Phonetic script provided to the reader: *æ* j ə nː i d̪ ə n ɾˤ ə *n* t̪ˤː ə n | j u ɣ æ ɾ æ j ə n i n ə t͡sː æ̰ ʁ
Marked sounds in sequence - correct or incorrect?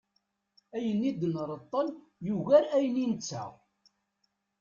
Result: correct, incorrect: none

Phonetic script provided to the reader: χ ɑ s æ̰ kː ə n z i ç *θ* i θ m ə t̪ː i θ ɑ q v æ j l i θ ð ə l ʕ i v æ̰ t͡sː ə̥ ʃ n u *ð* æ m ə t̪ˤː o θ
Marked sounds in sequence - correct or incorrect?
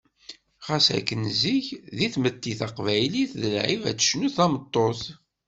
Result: incorrect: ð, incorrect: θ

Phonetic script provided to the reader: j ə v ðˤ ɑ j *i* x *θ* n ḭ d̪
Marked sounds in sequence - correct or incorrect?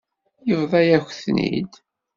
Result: incorrect: æ, correct

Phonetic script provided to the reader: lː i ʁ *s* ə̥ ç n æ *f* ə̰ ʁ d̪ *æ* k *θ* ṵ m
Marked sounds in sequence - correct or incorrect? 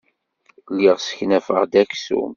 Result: correct, correct, correct, incorrect: s

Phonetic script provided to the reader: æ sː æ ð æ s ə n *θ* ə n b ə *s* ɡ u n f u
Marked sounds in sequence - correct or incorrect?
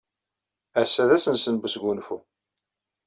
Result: incorrect: s, correct

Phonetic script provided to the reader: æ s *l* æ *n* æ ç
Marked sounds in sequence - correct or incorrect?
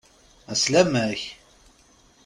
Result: correct, incorrect: m

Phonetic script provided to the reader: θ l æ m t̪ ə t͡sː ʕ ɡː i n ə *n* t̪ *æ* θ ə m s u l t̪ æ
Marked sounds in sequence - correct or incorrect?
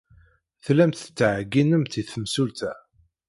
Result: incorrect: m, incorrect: i

